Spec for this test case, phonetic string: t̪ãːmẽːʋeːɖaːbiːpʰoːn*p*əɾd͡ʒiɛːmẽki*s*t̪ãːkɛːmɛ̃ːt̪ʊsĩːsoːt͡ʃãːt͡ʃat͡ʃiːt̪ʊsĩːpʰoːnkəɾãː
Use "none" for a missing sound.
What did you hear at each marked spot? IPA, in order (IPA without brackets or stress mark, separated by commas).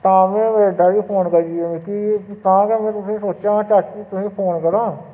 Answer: k, none